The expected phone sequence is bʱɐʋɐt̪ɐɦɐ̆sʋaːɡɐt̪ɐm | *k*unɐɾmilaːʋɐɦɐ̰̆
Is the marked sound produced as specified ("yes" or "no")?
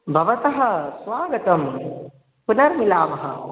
no